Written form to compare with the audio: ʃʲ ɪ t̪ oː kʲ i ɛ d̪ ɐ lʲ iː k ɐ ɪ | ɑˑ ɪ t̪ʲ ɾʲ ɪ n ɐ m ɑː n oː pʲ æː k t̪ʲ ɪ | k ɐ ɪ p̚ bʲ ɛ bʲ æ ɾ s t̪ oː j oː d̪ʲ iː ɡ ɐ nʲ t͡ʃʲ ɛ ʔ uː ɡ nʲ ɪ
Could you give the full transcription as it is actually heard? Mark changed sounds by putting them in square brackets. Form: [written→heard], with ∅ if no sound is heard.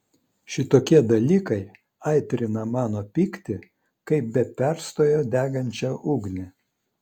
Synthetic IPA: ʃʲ ɪ t̪ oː kʲ i ɛ d̪ ɐ lʲ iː k ɐ ɪ | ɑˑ ɪ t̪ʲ ɾʲ ɪ n ɐ m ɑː n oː pʲ [æː→iː] k t̪ʲ ɪ | k ɐ ɪ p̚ bʲ ɛ [bʲ→pʲ] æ ɾ s t̪ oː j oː d̪ʲ [iː→æː] ɡ ɐ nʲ t͡ʃʲ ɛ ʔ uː ɡ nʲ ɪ